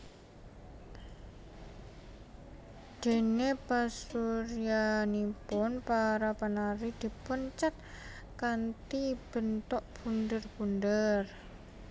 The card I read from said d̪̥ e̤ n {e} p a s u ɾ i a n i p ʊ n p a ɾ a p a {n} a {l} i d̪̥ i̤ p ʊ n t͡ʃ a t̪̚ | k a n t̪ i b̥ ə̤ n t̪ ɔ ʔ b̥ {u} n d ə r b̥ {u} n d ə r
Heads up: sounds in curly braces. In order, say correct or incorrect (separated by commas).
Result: correct, correct, incorrect, correct, correct